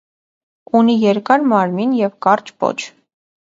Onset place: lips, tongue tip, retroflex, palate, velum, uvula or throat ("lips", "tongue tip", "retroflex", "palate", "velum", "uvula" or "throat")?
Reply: tongue tip